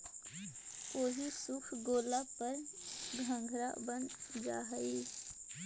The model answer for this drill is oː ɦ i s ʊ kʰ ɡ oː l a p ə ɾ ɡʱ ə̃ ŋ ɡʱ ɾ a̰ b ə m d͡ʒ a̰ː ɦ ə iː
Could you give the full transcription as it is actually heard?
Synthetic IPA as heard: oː ɦ i s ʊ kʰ ɡ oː l a p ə ɾ ɡʱ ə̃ ŋ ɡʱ ɾ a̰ b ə n d͡ʒ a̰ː ɦ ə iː